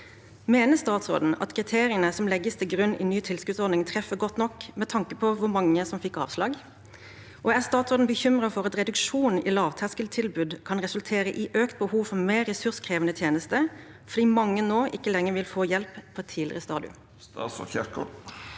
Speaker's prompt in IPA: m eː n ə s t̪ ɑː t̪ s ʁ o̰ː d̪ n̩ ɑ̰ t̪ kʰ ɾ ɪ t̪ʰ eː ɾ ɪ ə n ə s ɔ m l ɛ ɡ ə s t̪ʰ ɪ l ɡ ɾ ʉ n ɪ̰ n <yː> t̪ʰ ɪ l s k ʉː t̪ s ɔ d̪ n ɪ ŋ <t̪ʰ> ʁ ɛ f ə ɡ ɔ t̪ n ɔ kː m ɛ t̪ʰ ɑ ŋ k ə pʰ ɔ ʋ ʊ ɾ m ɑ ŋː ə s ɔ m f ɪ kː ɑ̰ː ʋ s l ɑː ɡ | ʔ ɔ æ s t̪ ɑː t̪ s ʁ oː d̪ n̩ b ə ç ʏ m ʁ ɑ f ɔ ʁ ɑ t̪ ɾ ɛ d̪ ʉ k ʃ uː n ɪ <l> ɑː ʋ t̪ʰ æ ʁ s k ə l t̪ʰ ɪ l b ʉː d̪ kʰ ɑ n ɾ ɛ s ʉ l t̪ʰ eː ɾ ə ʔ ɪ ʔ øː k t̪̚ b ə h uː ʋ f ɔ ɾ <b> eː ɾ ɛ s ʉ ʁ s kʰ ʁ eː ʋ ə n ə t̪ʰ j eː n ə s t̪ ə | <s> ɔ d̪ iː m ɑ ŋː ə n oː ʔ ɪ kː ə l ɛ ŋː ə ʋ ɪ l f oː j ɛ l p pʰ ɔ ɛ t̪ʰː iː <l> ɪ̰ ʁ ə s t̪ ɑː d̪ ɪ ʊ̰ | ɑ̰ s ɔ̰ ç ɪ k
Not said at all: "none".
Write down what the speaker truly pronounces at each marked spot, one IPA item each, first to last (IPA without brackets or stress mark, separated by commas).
yː, t̪ʰ, l, m, f, l